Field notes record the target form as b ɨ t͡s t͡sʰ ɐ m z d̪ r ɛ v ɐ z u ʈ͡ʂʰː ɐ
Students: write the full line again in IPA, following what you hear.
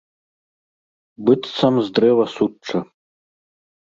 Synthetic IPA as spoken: b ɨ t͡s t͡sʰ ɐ m z d̪ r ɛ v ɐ s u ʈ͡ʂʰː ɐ